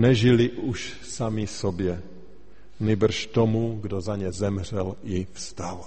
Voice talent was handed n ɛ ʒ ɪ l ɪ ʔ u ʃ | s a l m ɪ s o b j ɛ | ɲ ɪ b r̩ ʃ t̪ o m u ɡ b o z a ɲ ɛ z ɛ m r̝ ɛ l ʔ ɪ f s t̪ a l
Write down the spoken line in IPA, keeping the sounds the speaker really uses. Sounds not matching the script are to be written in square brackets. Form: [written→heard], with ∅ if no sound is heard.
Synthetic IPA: n ɛ ʒ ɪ l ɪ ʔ u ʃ | s a [l→∅] m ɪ s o b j ɛ | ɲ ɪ b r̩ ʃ t̪ o m u ɡ [b→d] o z a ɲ ɛ z ɛ m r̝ ɛ l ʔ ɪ f s t̪ a l